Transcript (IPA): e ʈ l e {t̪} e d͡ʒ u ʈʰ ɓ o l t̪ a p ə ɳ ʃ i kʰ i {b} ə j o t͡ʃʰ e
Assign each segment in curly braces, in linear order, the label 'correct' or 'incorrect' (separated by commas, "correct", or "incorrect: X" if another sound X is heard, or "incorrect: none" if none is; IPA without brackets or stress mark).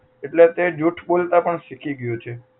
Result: correct, incorrect: ɡ